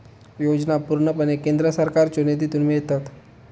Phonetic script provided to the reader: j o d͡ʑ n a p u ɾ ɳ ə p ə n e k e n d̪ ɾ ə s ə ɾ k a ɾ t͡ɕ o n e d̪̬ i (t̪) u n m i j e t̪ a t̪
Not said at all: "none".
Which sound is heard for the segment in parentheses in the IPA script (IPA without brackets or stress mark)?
t̪